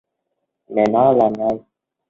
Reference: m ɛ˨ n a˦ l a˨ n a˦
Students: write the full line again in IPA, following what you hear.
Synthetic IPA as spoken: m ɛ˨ n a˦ l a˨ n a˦